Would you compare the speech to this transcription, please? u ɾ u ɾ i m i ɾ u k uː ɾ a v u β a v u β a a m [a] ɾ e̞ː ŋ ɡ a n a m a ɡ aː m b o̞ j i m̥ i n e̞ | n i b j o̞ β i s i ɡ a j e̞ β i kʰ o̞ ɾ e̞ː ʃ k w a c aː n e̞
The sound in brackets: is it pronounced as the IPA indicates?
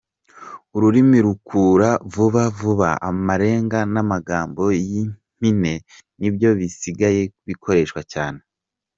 yes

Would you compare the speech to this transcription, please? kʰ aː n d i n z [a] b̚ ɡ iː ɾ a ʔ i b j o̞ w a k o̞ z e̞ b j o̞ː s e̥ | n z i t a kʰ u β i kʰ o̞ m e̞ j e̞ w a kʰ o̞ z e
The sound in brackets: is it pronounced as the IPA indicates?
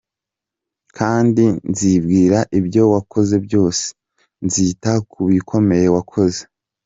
no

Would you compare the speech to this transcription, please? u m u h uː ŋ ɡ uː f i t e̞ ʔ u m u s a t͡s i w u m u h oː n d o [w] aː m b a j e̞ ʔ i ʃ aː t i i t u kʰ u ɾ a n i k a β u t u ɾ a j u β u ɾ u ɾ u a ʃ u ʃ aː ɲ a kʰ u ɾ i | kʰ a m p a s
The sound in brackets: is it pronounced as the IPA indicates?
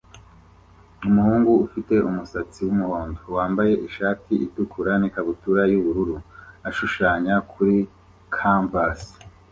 yes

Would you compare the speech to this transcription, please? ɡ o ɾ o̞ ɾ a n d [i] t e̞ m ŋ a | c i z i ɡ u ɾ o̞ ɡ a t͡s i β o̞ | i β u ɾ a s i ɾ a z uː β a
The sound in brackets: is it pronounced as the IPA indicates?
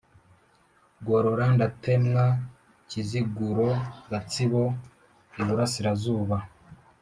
no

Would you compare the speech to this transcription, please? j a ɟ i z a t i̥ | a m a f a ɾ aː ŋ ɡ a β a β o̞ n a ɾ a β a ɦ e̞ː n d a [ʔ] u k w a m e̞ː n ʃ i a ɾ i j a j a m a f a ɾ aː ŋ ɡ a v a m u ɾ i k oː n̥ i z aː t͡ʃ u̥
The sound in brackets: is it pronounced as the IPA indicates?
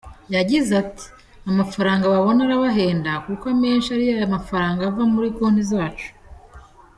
no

